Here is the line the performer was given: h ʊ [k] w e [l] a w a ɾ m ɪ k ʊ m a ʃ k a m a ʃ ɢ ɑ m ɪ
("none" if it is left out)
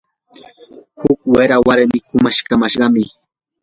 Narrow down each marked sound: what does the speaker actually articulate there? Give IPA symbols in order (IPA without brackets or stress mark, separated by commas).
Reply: k, ɾ